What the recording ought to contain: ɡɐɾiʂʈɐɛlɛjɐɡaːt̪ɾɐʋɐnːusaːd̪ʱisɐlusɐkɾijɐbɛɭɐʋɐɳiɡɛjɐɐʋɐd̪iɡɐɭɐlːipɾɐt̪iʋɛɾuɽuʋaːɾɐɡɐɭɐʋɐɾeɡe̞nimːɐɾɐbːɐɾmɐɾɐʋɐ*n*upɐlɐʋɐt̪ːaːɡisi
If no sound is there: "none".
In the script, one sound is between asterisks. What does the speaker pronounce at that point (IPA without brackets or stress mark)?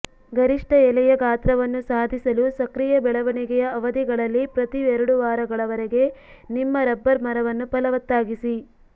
nː